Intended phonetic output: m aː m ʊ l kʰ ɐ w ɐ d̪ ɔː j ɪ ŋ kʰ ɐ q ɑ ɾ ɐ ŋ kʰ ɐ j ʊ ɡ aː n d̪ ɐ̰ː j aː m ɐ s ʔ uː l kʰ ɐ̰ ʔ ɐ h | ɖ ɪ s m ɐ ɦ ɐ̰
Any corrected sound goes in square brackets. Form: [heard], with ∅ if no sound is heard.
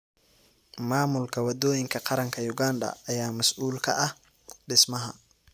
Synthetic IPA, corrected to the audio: m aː m ʊ l kʰ ɐ w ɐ d̪ ɔː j ɪ ŋ kʰ ɐ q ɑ ɾ ɐ ŋ kʰ ɐ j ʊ ɡ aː n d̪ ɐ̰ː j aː m ɐ s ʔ uː l kʰ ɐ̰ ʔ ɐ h | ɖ ɪ s m ɐ ɦ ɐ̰